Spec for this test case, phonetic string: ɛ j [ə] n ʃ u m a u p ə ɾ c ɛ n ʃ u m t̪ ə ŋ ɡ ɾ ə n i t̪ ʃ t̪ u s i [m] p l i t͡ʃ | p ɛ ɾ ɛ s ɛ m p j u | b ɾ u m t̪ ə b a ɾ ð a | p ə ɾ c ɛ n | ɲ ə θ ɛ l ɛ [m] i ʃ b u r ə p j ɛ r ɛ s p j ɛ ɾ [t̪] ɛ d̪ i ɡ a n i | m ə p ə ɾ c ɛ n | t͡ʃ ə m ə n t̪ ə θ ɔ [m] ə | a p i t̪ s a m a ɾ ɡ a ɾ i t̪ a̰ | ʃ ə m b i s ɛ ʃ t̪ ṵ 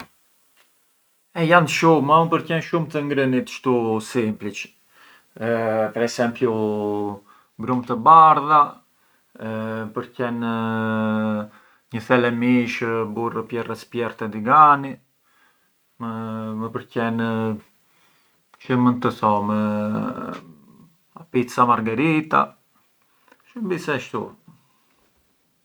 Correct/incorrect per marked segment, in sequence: incorrect, correct, correct, correct, correct

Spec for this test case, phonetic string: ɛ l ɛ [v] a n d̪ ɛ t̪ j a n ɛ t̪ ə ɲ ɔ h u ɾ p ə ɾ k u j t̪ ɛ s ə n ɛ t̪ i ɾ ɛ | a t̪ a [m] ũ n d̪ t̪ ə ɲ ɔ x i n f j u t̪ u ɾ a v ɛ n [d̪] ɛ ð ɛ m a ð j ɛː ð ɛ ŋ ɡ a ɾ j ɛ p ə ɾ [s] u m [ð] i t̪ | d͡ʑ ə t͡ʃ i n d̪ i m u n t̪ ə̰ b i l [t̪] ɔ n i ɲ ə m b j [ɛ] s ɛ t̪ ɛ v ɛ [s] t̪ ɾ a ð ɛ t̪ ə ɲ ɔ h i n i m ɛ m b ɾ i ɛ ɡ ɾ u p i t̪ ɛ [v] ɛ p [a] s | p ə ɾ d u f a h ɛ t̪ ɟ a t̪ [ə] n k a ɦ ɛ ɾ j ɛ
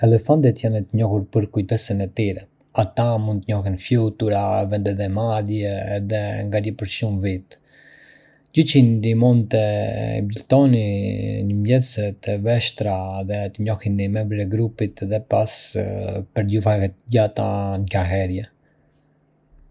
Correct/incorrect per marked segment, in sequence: incorrect, correct, correct, incorrect, incorrect, correct, correct, incorrect, incorrect, correct, incorrect

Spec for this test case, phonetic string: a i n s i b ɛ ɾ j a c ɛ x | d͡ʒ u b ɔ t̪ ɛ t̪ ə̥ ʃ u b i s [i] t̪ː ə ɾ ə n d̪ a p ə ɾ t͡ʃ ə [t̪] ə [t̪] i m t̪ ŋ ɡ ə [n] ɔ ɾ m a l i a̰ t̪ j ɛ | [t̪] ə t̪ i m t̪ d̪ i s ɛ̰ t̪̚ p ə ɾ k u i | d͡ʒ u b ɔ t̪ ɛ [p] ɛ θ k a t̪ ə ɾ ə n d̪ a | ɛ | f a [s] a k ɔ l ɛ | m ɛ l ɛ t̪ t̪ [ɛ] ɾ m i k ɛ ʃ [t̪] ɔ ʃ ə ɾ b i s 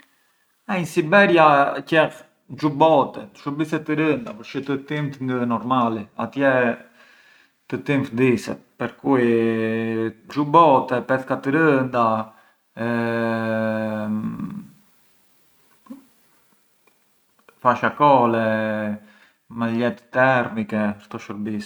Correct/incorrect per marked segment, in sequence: incorrect, correct, correct, correct, correct, correct, incorrect, correct, correct

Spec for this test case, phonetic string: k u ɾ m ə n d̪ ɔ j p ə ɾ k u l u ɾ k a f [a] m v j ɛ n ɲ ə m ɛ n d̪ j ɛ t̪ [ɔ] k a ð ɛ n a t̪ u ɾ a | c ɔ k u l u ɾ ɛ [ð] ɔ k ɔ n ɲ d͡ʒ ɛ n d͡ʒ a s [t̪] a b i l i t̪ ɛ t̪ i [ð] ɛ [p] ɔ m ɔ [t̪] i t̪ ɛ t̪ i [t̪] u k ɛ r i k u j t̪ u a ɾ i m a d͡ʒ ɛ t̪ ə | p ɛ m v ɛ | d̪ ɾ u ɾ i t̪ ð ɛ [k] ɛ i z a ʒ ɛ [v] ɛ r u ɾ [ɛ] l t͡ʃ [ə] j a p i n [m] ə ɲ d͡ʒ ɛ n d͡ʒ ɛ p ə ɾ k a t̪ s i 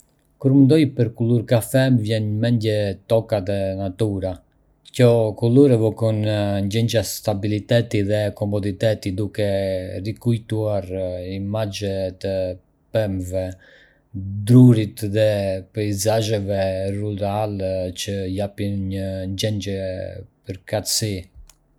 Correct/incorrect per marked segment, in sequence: incorrect, correct, incorrect, correct, correct, incorrect, incorrect, incorrect, incorrect, correct, incorrect, correct, incorrect

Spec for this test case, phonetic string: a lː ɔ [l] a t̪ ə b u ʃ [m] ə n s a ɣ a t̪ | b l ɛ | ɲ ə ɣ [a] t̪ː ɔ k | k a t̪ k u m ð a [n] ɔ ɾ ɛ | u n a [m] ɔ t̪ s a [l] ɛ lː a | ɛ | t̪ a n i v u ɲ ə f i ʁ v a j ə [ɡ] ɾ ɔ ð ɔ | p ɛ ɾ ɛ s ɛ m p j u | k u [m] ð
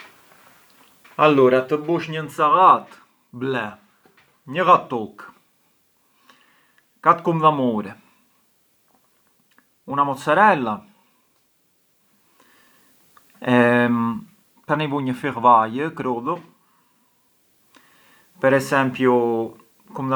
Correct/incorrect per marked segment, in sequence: incorrect, incorrect, correct, incorrect, correct, incorrect, incorrect, correct

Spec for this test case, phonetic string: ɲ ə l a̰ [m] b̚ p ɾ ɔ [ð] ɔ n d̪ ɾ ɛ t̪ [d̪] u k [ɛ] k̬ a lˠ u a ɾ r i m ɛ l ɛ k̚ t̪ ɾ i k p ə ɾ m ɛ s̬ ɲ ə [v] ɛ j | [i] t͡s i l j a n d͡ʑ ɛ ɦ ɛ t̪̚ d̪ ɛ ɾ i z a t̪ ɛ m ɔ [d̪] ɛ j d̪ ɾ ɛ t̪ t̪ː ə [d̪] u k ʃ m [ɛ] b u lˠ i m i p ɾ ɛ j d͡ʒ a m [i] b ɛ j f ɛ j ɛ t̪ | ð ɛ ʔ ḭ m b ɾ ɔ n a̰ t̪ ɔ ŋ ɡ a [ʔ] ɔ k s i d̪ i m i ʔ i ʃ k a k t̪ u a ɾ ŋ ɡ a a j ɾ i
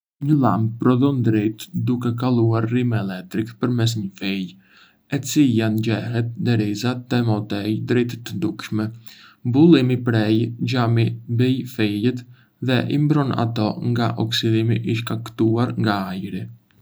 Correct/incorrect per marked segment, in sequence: correct, correct, correct, correct, incorrect, incorrect, incorrect, correct, correct, correct, correct

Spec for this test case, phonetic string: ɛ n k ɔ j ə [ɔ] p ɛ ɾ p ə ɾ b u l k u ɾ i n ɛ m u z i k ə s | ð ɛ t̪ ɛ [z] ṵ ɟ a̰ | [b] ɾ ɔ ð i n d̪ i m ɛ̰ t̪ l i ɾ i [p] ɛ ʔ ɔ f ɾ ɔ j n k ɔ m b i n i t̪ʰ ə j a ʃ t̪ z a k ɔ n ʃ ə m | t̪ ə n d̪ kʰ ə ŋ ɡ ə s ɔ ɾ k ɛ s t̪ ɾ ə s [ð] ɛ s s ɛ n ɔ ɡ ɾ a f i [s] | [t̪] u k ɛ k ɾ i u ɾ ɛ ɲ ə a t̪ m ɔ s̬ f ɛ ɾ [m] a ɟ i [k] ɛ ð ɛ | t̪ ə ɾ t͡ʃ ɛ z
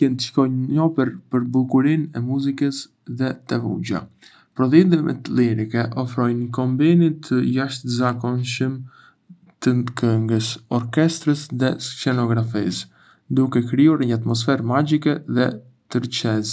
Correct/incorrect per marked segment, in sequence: correct, incorrect, incorrect, incorrect, correct, correct, incorrect, correct, correct

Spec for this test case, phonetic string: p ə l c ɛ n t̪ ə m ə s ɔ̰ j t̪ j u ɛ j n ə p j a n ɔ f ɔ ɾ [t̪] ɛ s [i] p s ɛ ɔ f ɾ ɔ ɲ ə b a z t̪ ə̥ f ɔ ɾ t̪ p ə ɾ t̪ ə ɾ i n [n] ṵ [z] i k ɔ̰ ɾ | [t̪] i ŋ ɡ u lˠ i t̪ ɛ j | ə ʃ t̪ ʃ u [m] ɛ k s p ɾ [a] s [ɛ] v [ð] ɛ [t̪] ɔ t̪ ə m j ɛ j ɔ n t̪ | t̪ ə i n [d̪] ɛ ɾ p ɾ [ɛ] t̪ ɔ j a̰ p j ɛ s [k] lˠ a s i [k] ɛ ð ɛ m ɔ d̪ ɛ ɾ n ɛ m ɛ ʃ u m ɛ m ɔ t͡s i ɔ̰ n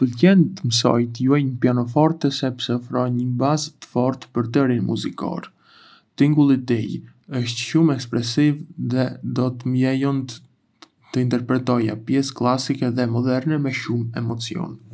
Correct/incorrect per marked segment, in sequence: correct, incorrect, incorrect, correct, correct, correct, incorrect, incorrect, correct, incorrect, incorrect, correct, correct, correct

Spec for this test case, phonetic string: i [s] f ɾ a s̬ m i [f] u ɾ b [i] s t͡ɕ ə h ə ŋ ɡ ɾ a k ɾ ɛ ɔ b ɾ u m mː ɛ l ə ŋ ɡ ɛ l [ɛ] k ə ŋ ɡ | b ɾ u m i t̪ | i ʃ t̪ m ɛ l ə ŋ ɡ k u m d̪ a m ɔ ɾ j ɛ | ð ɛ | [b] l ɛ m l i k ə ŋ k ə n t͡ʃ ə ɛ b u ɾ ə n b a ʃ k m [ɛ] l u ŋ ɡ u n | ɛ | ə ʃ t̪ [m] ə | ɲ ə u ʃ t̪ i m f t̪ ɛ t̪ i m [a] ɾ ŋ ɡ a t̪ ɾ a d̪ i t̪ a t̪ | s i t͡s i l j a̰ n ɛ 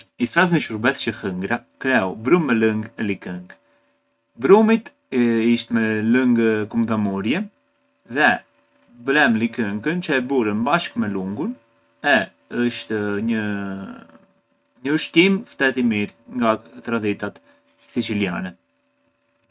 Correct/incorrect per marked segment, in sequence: correct, incorrect, incorrect, incorrect, correct, correct, incorrect, incorrect

